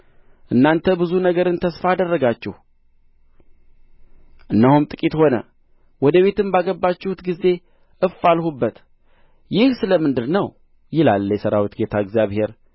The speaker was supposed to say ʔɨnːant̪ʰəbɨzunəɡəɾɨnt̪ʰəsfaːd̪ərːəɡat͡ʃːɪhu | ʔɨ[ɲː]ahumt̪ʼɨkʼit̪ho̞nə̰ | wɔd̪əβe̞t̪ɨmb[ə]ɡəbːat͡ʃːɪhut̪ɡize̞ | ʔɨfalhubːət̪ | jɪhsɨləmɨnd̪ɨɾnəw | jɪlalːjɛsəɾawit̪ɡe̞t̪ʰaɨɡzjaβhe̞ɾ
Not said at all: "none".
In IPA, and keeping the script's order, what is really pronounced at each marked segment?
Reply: nː, a

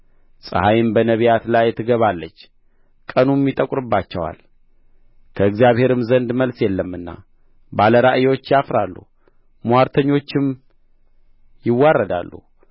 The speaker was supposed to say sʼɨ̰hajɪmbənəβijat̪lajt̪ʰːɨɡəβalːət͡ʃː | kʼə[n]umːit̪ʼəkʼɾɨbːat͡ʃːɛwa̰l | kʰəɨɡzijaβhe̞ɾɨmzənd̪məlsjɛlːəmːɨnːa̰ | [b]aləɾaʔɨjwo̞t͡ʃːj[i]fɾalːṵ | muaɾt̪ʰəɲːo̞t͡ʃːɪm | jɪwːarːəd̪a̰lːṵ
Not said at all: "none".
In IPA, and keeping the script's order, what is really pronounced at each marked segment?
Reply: n, b, a

